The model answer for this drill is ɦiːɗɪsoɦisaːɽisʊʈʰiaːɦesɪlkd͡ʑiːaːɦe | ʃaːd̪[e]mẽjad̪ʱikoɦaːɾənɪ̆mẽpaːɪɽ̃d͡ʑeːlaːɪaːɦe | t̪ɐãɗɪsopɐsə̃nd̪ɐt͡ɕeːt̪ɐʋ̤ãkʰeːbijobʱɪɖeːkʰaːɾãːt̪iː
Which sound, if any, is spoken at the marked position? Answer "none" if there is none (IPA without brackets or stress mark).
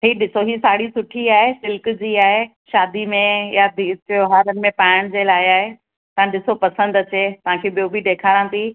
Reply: i